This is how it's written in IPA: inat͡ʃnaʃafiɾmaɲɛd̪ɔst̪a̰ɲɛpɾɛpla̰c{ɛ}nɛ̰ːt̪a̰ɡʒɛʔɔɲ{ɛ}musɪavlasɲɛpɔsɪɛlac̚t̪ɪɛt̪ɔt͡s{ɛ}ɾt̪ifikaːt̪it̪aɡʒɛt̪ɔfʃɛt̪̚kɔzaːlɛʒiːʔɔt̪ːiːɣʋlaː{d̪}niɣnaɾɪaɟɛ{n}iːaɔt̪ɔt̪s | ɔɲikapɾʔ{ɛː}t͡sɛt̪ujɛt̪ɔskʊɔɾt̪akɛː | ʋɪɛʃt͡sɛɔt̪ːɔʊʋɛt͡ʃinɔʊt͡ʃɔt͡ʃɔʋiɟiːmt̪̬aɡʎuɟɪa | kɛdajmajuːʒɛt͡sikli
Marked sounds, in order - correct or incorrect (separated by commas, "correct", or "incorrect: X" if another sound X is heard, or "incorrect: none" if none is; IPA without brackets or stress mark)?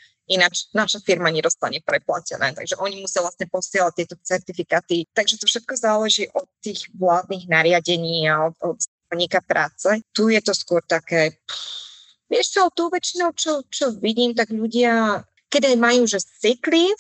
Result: correct, incorrect: i, correct, correct, incorrect: ɲ, incorrect: aː